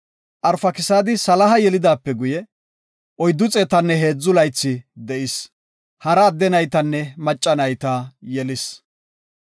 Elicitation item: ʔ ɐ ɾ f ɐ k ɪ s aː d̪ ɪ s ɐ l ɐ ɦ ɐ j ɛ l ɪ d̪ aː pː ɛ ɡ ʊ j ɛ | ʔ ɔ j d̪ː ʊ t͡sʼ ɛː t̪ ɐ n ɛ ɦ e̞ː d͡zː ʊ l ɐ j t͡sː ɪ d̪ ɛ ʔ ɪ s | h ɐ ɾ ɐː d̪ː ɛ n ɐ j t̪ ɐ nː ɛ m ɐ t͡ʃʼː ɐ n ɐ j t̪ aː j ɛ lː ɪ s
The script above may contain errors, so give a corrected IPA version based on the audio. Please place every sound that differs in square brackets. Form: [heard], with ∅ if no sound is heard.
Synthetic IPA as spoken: ʔ ɐ ɾ f ɐ k ɪ s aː d̪ ɪ s ɐ l ɐ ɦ ɐ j ɛ l ɪ d̪ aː pː ɛ ɡ ʊ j ɛ | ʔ ɔ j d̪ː ʊ t͡sʼ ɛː t̪ ɐ [nː] ɛ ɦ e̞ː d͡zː ʊ l ɐ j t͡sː ɪ d̪ ɛ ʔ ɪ s | h ɐ ɾ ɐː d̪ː ɛ n ɐ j t̪ ɐ nː ɛ m ɐ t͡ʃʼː ɐ n ɐ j t̪ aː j ɛ [l] ɪ s

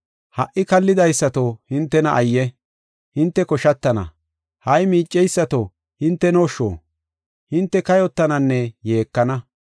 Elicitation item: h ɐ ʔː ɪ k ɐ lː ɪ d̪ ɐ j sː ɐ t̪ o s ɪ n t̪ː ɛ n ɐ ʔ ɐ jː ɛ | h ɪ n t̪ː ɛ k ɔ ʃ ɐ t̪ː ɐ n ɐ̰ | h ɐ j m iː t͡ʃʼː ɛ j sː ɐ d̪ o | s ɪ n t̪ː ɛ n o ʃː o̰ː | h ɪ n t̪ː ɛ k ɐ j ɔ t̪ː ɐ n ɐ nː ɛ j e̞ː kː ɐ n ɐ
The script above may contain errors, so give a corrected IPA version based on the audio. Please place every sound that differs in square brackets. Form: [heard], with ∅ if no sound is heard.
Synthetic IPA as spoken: h ɐ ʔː ɪ k ɐ lː ɪ d̪ ɐ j sː ɐ t̪ o [h] ɪ n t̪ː ɛ n ɐ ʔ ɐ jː ɛ | h ɪ n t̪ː ɛ k ɔ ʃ ɐ t̪ː ɐ n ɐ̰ | h ɐ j m iː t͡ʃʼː ɛ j sː ɐ [t̪] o | [h] ɪ n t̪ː ɛ n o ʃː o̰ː | h ɪ n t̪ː ɛ k ɐ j ɔ t̪ː ɐ n ɐ nː ɛ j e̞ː kː ɐ n ɐ

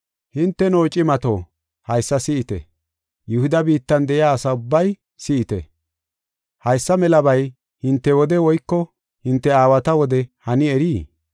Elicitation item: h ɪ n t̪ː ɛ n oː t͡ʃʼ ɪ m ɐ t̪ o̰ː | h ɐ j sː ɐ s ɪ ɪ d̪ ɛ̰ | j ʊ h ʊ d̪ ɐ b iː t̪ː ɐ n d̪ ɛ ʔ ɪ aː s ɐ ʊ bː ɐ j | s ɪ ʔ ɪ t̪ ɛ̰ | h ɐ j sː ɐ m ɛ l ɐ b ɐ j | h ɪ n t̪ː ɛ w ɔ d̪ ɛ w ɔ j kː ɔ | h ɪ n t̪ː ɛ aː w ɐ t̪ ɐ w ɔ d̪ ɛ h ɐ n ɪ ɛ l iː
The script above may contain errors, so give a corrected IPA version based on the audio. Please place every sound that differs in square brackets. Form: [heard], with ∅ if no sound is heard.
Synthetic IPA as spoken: h ɪ n t̪ː ɛ n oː t͡ʃʼ ɪ m ɐ t̪ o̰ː | h ɐ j sː ɐ s ɪ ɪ [t̪] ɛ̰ | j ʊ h ʊ d̪ ɐ b iː t̪ː ɐ n d̪ ɛ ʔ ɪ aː s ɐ ʊ bː ɐ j | s ɪ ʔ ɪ t̪ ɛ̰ | h ɐ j sː ɐ m ɛ l ɐ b ɐ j | h ɪ n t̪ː ɛ w ɔ d̪ ɛ w ɔ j kː ɔ | h ɪ n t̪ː ɛ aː w ɐ t̪ ɐ w ɔ d̪ ɛ h ɐ n ɪ ɛ [ɾ] iː

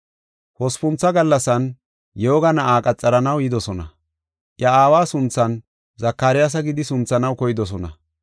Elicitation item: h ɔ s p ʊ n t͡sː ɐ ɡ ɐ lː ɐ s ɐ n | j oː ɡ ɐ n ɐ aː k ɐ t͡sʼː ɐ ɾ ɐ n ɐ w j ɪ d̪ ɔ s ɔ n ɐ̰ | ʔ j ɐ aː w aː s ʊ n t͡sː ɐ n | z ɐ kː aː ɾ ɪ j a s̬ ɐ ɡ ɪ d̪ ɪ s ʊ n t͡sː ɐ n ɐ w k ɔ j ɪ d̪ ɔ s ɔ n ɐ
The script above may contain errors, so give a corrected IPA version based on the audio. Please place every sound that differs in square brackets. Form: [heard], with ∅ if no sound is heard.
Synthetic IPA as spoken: h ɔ s p ʊ n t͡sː ɐ ɡ ɐ lː ɐ s ɐ n | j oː ɡ ɐ n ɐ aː [kʼ] ɐ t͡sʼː ɐ ɾ ɐ n ɐ w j ɪ d̪ ɔ s ɔ n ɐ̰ | ʔ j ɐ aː w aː s ʊ n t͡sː ɐ n | z ɐ kː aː ɾ ɪ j a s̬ ɐ ɡ ɪ d̪ ɪ s ʊ n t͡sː ɐ n ɐ w k ɔ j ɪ d̪ ɔ s ɔ n ɐ

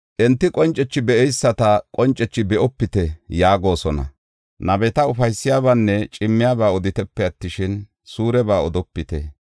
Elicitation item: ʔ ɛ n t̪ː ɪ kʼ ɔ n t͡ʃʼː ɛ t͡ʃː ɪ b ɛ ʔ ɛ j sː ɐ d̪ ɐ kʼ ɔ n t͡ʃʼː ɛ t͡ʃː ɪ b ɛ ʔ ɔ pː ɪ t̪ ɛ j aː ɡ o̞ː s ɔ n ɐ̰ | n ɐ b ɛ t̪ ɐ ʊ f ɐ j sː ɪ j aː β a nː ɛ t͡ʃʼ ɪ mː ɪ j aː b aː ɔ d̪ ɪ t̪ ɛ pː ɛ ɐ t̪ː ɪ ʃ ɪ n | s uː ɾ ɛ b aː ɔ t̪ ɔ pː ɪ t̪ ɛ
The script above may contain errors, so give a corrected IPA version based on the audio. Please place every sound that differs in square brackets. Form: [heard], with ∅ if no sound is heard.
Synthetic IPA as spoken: ʔ ɛ n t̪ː ɪ kʼ ɔ n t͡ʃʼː ɛ t͡ʃː ɪ b ɛ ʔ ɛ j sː ɐ [t̪] ɐ kʼ ɔ n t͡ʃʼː ɛ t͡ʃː ɪ b ɛ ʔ ɔ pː ɪ t̪ ɛ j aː ɡ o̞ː s ɔ n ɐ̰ | n ɐ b ɛ t̪ ɐ ʊ f ɐ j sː ɪ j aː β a nː ɛ t͡ʃʼ ɪ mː ɪ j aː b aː ɔ d̪ ɪ t̪ ɛ pː ɛ ɐ t̪ː ɪ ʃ ɪ n | s uː ɾ ɛ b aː ɔ [d̪] ɔ pː ɪ t̪ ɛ

